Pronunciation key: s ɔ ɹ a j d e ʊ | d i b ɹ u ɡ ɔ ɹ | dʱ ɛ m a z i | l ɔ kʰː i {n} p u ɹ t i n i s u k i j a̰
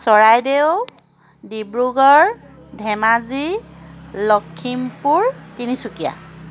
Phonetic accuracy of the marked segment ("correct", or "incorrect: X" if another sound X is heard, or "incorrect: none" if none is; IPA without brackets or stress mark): incorrect: m